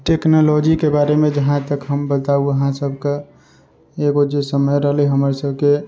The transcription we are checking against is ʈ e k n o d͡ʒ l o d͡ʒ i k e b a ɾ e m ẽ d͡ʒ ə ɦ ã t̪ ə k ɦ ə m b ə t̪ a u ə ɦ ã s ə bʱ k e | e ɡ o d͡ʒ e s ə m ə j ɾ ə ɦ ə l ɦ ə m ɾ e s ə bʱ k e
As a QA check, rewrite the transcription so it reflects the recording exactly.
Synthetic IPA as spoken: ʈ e k n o l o d͡ʒ i k e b a ɾ e m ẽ d͡ʒ ə ɦ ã t̪ ə k ɦ ə m b ə t̪ a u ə ɦ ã s ə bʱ k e | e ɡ o d͡ʒ e s ə m ə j ɾ ə ɦ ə l ɦ ə m ɾ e s ə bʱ k e